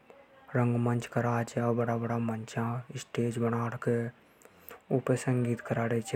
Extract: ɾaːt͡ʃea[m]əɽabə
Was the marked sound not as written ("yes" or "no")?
yes